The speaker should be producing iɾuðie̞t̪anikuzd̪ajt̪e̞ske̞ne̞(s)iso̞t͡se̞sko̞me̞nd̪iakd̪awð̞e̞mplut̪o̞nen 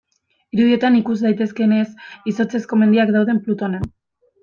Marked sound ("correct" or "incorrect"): correct